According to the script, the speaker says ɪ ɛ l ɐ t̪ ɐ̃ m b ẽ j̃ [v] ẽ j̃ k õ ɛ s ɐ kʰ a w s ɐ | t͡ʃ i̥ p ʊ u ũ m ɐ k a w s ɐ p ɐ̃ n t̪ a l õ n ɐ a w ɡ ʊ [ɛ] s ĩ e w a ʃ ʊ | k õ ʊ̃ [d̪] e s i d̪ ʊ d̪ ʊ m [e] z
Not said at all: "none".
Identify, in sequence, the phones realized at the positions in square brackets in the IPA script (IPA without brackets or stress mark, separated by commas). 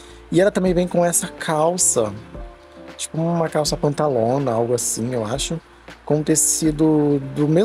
v, a, t̪, e